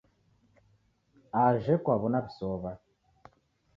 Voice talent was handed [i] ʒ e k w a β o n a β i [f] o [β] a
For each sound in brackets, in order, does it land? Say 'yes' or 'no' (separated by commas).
no, no, yes